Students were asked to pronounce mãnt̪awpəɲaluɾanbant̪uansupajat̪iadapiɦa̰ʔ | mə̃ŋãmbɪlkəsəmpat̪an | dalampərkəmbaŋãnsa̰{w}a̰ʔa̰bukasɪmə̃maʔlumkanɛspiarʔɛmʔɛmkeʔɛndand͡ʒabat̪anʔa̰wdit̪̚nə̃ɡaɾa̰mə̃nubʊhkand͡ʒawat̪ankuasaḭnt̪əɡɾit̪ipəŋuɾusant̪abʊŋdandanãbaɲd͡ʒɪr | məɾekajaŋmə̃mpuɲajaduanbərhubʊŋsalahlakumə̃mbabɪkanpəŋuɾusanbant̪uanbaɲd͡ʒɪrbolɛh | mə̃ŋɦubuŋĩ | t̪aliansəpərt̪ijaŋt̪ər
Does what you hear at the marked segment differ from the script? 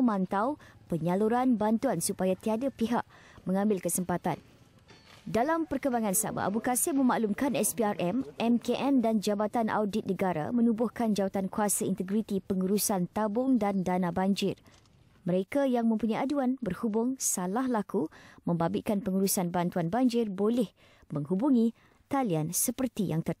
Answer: yes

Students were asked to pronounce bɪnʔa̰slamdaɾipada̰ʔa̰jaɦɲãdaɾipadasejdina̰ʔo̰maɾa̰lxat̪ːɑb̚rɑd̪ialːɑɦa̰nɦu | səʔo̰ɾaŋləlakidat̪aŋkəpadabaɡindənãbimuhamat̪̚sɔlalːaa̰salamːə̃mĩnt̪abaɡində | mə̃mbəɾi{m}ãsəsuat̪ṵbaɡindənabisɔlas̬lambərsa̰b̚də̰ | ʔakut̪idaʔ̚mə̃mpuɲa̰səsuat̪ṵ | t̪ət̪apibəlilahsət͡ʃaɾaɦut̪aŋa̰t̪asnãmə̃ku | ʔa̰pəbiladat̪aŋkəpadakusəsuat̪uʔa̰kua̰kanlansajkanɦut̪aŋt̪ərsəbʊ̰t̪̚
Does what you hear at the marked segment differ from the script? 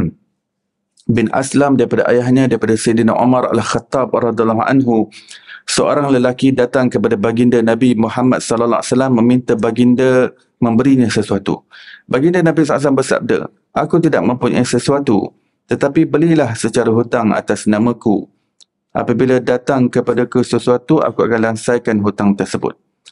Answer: yes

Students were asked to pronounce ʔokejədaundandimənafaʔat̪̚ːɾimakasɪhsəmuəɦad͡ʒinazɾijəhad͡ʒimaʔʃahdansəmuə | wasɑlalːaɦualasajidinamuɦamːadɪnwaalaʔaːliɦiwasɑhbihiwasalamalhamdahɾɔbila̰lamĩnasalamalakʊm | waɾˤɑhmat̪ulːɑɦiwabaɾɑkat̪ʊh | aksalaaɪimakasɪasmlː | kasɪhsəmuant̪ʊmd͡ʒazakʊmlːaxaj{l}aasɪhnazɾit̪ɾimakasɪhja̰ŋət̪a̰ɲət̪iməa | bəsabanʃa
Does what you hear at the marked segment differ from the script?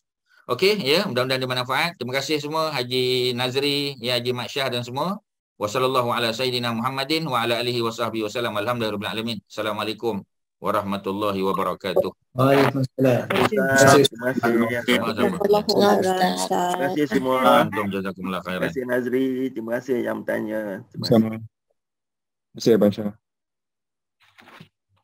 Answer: yes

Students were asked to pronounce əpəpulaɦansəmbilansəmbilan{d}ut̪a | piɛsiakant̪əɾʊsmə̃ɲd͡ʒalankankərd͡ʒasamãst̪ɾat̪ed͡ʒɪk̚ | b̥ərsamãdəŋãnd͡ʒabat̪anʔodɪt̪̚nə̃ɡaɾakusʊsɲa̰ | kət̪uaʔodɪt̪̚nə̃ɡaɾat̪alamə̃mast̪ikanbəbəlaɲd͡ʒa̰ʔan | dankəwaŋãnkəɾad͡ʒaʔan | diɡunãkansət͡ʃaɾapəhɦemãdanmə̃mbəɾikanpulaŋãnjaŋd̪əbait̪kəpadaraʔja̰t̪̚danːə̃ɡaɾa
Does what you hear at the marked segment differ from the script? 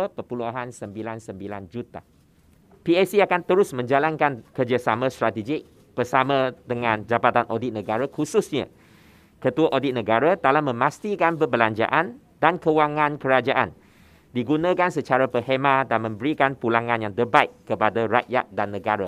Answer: yes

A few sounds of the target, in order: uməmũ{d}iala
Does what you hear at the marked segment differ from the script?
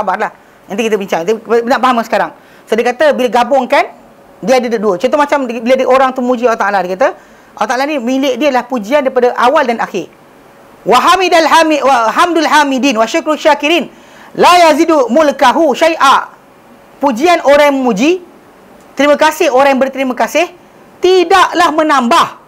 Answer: yes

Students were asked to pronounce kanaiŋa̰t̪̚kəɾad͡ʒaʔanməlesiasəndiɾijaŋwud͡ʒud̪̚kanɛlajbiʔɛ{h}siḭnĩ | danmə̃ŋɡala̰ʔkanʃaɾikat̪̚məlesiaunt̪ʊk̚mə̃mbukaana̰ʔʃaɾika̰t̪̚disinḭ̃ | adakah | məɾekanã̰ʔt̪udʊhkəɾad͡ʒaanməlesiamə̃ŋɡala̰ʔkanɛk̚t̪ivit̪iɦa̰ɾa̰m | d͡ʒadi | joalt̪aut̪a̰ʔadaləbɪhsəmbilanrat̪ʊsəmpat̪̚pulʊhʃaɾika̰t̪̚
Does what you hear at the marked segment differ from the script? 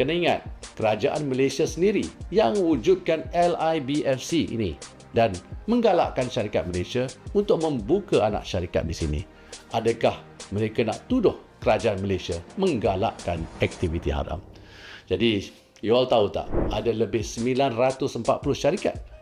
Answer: yes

